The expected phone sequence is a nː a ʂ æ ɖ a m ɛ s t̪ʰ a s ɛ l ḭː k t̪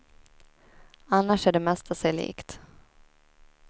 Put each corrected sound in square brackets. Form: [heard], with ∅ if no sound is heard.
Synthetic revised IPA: a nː a ʂ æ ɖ [ɛ] m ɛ s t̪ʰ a s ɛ l ḭː k t̪